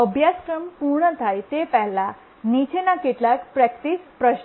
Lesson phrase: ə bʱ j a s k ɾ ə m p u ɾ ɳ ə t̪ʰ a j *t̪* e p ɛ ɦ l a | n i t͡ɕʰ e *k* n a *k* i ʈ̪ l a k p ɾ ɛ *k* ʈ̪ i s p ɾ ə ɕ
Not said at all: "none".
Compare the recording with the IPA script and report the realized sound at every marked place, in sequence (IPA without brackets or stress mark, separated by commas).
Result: t̪, none, k, k